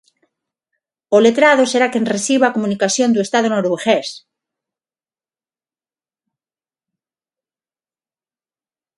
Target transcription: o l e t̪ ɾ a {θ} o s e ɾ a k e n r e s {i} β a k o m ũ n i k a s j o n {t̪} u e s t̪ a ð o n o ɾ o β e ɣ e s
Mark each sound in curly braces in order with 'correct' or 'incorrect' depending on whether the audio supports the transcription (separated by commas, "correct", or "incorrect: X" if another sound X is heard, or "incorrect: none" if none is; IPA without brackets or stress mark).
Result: incorrect: ð, correct, incorrect: d̪